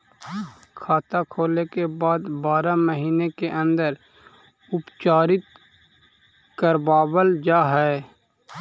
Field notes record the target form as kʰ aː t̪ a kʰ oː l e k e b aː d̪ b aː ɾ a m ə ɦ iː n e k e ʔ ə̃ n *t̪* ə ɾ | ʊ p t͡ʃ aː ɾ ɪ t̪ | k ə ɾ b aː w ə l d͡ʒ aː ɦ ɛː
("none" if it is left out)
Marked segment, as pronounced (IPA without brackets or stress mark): d̪